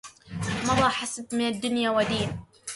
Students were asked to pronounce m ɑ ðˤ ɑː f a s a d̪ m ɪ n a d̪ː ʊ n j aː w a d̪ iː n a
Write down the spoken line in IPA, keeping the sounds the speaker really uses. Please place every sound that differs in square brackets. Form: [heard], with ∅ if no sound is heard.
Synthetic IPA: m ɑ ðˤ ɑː [ħ] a s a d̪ m ɪ n a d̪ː ʊ n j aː w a d̪ iː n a